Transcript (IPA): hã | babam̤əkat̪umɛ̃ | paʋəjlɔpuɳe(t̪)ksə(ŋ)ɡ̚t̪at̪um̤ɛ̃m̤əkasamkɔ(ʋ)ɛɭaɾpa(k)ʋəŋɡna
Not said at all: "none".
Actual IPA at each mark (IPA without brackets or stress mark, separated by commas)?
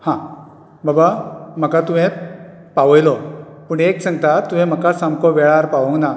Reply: none, ŋ, ʋ, none